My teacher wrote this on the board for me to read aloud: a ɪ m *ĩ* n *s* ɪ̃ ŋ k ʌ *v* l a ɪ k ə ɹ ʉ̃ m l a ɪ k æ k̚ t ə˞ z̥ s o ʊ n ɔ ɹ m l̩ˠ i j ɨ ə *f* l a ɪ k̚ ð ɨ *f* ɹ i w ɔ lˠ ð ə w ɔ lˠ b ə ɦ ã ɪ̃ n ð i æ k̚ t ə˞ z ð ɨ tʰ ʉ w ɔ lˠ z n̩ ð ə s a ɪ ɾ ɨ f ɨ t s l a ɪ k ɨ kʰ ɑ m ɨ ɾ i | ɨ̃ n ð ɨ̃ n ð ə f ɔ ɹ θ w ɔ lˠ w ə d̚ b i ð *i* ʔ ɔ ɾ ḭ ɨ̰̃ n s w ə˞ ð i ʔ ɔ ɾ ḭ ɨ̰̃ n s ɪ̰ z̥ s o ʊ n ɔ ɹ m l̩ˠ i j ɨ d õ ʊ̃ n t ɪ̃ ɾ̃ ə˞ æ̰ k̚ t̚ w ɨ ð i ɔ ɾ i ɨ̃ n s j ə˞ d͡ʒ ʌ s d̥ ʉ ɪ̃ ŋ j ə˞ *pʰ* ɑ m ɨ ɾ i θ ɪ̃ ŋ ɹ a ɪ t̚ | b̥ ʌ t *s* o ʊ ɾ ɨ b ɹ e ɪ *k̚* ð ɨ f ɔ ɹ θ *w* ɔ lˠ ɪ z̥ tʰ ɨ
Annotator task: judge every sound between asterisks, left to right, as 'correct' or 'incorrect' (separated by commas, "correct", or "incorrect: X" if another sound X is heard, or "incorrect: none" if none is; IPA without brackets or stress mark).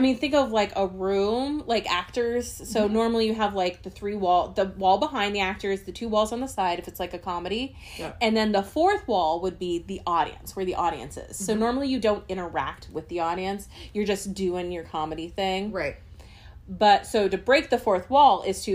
correct, incorrect: θ, correct, incorrect: v, incorrect: θ, correct, incorrect: kʰ, correct, correct, correct